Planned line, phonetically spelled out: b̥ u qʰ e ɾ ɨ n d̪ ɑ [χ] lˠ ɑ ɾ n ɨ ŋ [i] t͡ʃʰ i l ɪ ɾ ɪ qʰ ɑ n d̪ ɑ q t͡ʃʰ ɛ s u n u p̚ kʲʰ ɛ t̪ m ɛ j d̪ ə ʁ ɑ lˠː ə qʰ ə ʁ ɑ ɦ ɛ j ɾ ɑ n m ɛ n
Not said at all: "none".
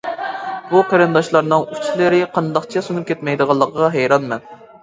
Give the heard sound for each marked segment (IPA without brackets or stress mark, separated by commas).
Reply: ʃ, y